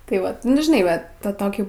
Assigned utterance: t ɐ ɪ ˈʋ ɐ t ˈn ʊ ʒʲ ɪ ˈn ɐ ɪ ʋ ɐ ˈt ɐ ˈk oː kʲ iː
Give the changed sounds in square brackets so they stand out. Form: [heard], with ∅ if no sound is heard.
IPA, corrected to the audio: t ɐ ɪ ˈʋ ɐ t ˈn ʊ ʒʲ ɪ ˈn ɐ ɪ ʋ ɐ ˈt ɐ [ˈt] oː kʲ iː